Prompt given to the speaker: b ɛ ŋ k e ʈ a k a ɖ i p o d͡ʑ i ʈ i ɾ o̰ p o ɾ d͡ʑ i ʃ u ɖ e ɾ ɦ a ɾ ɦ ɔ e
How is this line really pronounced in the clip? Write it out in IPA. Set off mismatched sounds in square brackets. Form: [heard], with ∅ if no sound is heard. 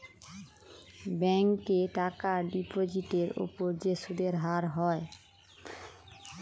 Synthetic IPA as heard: b ɛ ŋ k e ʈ a k a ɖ i p o d͡ʑ i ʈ [e] ɾ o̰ p o ɾ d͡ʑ [e] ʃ u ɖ e ɾ ɦ a ɾ ɦ ɔ e